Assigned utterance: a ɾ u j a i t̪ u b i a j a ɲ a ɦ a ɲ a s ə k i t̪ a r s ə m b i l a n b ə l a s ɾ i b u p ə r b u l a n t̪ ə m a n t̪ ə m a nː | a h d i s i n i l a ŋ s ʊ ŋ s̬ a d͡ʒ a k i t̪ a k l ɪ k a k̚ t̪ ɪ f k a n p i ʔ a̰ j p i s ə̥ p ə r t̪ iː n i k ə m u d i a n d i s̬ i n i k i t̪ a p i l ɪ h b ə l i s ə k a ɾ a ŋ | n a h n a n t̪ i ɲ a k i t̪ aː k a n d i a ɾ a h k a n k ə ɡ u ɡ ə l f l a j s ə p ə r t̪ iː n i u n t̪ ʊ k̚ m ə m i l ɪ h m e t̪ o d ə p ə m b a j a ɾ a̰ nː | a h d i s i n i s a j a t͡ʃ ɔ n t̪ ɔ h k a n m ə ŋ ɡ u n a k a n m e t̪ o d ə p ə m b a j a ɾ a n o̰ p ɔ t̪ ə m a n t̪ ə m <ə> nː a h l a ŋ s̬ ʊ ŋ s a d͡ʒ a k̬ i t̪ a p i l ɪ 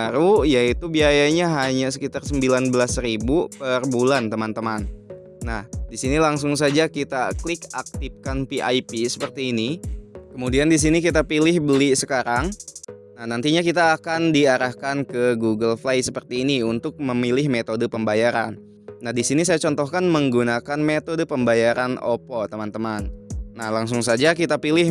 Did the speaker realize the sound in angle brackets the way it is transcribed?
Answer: no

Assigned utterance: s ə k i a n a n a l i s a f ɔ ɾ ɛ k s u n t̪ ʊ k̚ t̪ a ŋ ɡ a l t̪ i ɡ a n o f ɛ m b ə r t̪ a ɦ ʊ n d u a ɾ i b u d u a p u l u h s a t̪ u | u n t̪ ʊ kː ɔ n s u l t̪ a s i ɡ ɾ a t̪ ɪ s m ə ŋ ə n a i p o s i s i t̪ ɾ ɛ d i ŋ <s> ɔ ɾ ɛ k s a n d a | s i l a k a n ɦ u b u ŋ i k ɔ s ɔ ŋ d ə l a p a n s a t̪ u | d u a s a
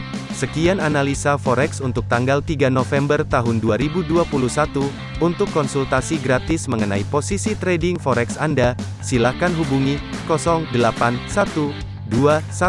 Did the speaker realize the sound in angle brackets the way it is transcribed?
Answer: no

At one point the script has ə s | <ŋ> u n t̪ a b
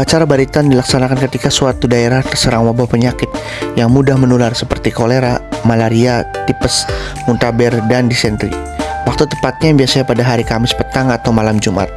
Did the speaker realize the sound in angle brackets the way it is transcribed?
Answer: no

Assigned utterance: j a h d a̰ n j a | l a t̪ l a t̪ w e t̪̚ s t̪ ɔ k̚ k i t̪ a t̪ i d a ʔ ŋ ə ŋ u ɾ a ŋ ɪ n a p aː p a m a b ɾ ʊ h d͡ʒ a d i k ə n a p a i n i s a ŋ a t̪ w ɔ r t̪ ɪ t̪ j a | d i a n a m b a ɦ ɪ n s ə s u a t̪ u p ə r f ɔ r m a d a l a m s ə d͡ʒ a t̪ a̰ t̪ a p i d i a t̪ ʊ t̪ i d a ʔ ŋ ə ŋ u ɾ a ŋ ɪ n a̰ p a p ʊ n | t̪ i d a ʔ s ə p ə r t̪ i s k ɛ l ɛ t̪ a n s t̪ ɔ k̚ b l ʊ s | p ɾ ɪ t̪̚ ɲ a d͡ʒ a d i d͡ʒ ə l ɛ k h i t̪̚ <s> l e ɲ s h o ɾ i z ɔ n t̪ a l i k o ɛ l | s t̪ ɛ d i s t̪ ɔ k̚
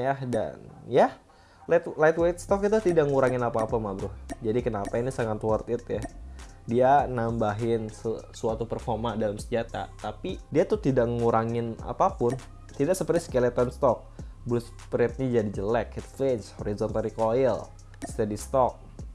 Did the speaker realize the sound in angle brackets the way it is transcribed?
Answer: no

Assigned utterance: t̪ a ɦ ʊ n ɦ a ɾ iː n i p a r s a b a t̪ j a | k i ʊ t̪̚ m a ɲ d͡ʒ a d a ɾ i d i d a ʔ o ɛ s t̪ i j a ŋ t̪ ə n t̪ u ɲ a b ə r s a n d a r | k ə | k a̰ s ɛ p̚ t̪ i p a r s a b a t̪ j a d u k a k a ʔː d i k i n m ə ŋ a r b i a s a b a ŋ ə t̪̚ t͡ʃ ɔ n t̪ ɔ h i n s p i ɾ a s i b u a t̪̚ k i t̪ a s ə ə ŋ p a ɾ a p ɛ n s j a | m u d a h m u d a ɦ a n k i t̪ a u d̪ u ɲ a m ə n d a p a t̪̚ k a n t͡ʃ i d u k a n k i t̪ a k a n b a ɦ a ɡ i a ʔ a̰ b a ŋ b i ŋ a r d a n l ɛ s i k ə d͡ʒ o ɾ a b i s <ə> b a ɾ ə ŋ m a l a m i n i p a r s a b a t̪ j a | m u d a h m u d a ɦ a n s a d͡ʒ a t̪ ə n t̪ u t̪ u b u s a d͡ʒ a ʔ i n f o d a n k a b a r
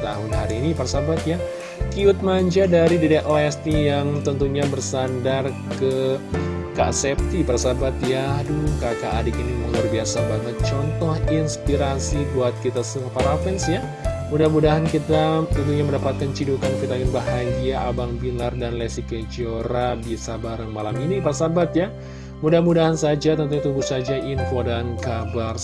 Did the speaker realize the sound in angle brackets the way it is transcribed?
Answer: no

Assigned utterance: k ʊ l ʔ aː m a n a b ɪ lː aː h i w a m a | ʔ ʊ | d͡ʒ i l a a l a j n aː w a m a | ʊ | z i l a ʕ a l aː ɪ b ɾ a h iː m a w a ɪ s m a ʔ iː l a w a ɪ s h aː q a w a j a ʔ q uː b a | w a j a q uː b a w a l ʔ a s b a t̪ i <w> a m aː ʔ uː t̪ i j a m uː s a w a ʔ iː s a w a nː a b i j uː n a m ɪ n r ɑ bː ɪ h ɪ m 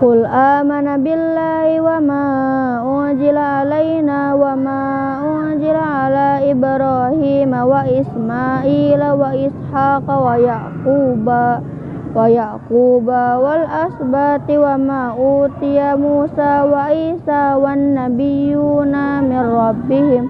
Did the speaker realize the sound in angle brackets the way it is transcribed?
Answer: yes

